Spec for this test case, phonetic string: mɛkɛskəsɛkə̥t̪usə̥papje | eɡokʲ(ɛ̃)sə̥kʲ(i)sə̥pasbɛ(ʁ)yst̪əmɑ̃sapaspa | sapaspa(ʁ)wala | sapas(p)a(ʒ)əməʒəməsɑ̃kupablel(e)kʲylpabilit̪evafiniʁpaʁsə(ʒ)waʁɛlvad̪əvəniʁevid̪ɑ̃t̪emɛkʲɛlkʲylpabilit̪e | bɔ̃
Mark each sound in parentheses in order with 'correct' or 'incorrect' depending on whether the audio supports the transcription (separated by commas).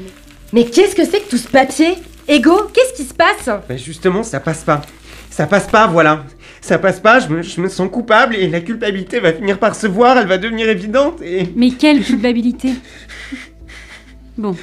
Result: incorrect, correct, incorrect, incorrect, correct, correct, incorrect, incorrect